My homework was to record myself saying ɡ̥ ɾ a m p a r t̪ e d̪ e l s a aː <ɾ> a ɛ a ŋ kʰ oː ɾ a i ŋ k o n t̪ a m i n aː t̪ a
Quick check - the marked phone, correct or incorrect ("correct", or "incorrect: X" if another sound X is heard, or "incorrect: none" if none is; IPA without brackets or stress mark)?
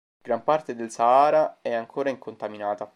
correct